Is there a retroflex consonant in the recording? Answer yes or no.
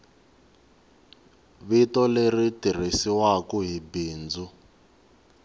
no